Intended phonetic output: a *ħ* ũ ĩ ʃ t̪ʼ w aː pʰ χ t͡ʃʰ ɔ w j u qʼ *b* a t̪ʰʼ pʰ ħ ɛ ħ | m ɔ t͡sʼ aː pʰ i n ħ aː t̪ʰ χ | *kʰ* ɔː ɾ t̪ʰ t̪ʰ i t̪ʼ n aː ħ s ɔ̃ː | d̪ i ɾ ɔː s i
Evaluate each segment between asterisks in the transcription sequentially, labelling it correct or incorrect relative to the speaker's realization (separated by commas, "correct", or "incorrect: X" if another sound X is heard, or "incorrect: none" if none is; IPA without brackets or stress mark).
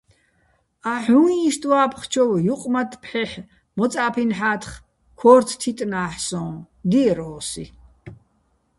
correct, incorrect: m, correct